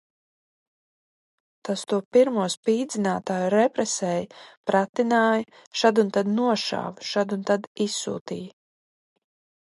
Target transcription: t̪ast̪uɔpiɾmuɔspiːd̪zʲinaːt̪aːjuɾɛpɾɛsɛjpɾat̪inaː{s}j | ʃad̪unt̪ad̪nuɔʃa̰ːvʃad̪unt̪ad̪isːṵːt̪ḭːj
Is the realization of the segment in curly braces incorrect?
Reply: yes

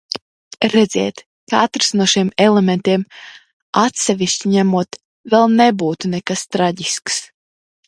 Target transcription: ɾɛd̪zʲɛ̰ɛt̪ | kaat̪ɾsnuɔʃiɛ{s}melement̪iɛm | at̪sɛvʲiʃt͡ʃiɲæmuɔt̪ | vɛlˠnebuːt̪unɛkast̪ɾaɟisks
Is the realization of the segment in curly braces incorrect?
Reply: yes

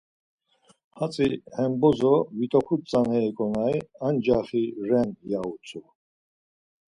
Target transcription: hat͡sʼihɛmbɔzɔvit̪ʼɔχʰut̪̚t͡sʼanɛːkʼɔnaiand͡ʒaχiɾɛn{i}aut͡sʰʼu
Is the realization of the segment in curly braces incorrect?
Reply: yes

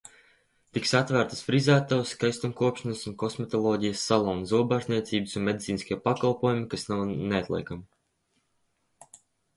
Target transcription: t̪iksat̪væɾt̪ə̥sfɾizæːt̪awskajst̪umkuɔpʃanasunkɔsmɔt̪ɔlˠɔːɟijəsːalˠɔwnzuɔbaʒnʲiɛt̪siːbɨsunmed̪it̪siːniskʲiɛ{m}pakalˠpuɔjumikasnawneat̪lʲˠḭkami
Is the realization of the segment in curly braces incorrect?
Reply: yes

